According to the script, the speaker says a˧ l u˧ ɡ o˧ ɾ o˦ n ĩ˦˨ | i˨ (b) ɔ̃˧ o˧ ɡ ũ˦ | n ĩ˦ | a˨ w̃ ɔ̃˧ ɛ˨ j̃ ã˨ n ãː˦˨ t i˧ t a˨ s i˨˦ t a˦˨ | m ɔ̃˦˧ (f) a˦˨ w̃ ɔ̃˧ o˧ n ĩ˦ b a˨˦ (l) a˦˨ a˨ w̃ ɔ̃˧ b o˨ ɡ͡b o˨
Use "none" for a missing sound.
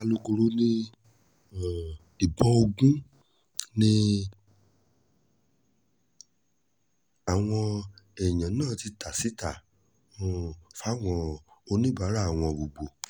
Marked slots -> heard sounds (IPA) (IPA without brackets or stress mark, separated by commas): b, f, ɾ